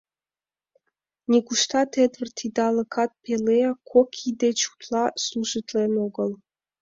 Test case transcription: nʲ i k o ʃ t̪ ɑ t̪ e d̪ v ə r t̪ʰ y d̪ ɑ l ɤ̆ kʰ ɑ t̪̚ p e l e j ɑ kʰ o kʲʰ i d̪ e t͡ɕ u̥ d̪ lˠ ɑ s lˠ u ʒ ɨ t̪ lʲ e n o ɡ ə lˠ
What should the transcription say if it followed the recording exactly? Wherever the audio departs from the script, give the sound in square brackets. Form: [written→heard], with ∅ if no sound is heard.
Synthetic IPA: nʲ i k [o→u] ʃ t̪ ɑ t̪ e d̪ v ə r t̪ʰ [y→i] d̪ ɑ l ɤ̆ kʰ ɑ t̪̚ p e l e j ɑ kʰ o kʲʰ i d̪ e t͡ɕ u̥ [d̪→t̪] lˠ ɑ s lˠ u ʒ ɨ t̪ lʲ e n o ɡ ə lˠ